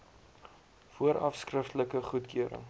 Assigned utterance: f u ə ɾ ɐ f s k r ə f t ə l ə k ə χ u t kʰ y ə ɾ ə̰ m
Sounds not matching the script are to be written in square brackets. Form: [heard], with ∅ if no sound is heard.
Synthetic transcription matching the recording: f u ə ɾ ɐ f s k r ə f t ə l ə k ə χ u t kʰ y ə ɾ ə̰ [ŋ]